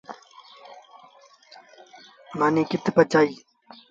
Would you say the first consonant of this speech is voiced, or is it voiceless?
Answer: voiced